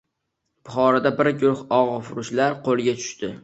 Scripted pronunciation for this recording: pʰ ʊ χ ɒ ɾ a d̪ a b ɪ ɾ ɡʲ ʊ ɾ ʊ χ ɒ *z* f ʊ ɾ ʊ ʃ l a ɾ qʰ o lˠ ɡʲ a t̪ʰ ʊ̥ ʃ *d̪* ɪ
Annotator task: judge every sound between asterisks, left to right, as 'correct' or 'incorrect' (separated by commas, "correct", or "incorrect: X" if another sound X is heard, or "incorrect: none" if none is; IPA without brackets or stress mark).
incorrect: ʁ, incorrect: t̪